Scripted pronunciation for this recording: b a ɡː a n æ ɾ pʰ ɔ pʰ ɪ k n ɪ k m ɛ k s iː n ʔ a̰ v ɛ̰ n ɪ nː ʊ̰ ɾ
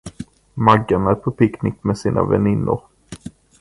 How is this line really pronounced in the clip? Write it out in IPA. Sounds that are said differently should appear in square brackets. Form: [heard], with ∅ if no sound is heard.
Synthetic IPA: [m] a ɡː a n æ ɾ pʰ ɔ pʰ ɪ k n ɪ k m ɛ [∅] s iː n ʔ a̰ v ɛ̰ n ɪ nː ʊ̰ ɾ